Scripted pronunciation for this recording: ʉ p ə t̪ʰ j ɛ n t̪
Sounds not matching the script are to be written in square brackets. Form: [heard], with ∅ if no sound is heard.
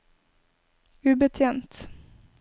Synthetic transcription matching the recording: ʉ [b] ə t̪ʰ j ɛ n t̪